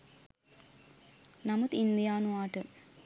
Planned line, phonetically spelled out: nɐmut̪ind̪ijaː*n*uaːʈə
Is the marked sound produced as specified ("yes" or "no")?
yes